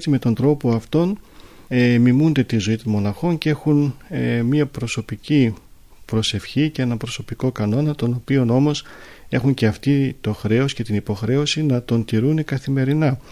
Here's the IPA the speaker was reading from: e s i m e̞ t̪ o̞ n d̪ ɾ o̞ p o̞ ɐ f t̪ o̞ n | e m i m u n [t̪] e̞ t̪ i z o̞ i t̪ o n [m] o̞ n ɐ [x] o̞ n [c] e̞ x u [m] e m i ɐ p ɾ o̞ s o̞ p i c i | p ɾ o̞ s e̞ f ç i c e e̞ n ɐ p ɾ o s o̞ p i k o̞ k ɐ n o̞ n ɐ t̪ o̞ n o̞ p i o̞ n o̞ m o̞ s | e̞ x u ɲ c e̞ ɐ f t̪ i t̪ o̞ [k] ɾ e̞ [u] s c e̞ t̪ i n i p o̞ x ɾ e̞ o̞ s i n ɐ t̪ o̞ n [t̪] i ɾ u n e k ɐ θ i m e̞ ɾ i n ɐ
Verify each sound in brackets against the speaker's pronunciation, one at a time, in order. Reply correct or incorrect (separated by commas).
incorrect, correct, correct, correct, incorrect, incorrect, incorrect, correct